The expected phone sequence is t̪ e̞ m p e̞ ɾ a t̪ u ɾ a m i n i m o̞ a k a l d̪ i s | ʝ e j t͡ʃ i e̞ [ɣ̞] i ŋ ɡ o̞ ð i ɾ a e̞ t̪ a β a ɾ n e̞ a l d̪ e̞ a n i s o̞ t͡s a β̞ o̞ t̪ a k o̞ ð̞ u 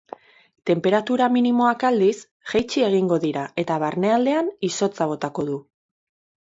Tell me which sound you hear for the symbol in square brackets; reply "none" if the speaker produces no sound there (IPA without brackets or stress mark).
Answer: ɣ̞